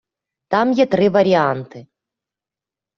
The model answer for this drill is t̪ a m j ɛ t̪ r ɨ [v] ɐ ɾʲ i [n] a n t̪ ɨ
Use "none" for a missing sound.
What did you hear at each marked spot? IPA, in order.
v, none

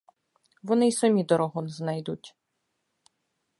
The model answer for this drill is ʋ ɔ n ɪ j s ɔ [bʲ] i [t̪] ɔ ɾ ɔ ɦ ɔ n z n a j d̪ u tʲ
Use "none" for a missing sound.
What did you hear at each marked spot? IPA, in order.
mʲ, d̪

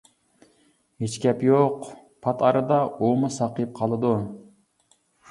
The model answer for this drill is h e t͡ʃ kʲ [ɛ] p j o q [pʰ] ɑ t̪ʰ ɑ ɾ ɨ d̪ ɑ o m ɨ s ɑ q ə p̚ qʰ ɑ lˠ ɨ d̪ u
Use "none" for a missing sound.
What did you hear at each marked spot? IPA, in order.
ɛ, pʰ

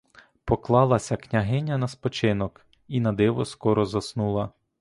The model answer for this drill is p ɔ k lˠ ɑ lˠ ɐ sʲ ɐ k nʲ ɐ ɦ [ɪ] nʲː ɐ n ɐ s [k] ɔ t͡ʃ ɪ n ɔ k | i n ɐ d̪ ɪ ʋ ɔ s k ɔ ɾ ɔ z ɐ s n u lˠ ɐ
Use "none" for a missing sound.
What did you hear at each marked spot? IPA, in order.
ɪ, p

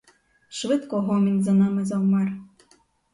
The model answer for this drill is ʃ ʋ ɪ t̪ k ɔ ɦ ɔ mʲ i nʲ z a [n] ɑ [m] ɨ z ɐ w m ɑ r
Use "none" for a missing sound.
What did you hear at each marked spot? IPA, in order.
n, m

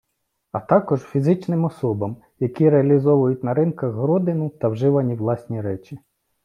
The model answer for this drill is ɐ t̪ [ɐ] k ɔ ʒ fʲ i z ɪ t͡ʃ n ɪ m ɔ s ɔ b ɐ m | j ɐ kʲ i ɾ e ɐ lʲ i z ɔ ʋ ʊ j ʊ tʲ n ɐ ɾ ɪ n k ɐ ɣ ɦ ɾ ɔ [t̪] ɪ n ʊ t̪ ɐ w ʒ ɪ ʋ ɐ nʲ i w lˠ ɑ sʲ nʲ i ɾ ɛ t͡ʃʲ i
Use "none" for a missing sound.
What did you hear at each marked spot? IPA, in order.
ɑ, d̪

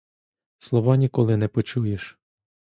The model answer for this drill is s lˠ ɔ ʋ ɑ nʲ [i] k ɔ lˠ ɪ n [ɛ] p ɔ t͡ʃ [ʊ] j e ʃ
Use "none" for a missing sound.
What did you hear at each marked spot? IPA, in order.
i, ɛ, u

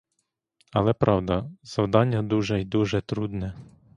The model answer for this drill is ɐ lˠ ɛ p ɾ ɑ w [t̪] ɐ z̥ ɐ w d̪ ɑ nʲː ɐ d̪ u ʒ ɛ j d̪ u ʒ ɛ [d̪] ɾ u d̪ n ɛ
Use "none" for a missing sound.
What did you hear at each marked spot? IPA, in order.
d̪, t̪

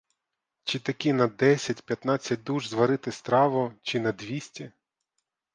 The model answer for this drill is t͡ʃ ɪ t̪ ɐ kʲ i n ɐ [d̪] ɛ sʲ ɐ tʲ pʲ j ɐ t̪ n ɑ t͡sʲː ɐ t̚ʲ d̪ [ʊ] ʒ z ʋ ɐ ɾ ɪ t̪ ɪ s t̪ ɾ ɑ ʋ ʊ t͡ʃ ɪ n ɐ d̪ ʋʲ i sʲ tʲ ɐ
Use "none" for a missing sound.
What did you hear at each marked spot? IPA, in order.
d̪, u

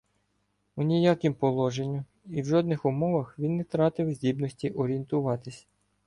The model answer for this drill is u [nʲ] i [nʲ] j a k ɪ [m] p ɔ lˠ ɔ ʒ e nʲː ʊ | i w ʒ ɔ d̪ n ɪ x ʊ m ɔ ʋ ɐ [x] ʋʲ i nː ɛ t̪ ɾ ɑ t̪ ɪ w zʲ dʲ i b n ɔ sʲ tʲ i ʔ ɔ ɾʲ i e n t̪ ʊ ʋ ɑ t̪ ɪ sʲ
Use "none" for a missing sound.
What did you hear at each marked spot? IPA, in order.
nʲ, none, m, x

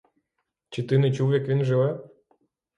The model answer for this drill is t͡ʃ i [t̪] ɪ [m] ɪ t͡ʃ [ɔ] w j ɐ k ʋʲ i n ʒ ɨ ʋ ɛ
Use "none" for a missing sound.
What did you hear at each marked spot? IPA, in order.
t̪, n, u

